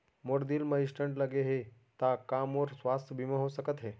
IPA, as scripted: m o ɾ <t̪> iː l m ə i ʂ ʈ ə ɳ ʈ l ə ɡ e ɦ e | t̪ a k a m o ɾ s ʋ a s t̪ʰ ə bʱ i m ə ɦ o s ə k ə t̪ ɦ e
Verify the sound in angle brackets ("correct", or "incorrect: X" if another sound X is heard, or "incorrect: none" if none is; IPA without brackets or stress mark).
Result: incorrect: d̪